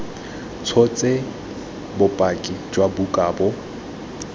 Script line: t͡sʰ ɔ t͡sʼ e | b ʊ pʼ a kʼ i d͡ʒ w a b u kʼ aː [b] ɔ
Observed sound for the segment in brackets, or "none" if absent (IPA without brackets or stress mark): b